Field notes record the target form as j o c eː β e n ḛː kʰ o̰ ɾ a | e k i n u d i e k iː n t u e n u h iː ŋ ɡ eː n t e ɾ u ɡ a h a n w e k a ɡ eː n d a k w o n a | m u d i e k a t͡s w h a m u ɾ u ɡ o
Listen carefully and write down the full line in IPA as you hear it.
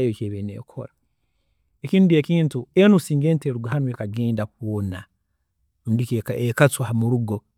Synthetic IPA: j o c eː β e n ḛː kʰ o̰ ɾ a | e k i n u d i e k iː n t u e n u s iː ŋ ɡ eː n t e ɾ u ɡ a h a n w e k a ɡ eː n d a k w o n a | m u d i e k a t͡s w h a m u ɾ u ɡ o